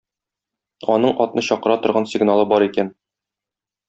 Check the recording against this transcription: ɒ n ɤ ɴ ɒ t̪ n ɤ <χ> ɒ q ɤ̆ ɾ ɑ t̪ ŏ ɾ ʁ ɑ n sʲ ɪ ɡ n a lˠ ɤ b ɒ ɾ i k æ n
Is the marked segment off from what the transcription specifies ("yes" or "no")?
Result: yes